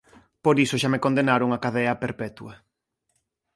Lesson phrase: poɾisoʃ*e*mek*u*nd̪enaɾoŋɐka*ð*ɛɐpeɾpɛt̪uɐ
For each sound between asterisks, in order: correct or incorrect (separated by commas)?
incorrect, incorrect, correct